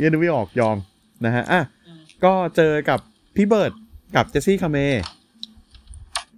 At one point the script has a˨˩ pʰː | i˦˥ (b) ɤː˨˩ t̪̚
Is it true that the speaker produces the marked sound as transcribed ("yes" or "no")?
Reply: yes